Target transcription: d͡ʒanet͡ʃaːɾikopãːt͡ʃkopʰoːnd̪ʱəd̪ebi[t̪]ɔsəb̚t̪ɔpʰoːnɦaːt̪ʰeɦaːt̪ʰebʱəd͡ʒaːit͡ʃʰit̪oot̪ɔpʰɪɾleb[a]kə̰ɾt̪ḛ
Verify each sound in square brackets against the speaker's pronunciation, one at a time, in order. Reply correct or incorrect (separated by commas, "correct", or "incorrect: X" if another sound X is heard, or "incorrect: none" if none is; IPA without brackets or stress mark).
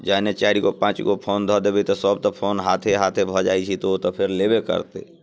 correct, incorrect: e